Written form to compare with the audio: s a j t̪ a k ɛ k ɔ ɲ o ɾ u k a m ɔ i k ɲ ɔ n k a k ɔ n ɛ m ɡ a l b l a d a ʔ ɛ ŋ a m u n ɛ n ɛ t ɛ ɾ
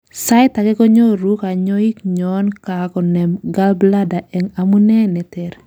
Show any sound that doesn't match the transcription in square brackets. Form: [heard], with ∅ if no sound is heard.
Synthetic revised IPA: s a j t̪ a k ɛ k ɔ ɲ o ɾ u k a [ɲ] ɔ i k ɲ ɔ n k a k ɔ n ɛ m ɡ a l b l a d a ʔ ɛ ŋ a m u n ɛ n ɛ t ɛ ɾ